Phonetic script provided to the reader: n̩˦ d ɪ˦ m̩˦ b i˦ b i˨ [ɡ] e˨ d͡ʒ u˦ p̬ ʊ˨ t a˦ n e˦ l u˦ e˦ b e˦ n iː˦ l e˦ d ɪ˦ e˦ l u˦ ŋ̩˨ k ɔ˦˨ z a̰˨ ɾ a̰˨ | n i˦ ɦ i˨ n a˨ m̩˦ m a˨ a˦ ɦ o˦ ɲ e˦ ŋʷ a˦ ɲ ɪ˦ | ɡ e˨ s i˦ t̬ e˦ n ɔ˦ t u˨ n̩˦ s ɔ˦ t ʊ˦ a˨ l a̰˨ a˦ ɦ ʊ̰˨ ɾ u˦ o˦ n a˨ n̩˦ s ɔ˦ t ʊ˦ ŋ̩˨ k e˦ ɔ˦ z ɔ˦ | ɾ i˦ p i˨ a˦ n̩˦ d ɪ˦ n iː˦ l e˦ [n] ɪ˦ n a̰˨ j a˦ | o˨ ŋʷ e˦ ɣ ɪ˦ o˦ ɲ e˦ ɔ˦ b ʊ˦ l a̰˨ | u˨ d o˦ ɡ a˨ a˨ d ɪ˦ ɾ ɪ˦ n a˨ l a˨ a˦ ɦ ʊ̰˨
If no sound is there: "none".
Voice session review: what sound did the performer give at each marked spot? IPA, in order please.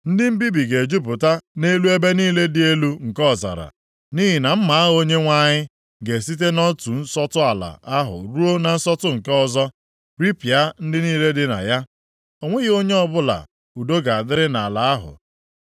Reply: ɡ, d

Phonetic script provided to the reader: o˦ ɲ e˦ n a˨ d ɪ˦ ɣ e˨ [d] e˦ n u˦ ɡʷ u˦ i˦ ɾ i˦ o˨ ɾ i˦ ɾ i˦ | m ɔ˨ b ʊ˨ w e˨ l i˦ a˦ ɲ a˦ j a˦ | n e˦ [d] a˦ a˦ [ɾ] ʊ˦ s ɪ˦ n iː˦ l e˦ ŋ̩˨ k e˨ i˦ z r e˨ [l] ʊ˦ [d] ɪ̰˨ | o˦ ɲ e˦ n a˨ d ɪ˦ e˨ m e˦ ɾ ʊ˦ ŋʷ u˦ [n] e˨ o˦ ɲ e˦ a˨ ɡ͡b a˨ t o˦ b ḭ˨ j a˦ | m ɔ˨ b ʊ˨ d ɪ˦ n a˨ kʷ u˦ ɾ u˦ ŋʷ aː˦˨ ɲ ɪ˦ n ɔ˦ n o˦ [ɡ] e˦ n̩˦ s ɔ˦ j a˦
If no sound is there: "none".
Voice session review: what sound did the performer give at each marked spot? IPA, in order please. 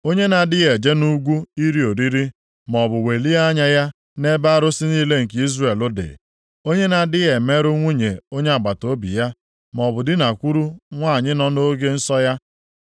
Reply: d͡ʒ, b, ɾ, l, d, ɲ, ɡ

